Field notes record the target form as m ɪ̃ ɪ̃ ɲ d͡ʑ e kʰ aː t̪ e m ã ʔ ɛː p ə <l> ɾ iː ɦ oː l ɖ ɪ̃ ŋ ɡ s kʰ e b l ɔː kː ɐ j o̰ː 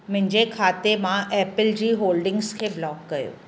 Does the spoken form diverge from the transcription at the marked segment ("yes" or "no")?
no